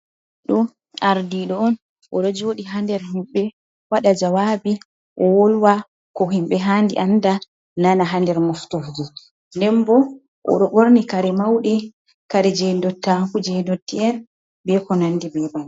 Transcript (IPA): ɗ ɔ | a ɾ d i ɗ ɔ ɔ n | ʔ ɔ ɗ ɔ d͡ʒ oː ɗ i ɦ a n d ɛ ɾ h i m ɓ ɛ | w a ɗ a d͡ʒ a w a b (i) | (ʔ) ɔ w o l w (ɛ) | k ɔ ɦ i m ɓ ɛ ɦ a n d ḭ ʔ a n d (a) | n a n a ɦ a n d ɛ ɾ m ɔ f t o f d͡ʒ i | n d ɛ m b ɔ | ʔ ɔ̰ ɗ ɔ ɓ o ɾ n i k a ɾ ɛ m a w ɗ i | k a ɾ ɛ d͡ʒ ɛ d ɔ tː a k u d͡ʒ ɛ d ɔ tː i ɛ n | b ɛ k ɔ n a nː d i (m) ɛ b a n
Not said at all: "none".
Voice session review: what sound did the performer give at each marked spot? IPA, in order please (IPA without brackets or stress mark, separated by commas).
i, ʔ, a, a, b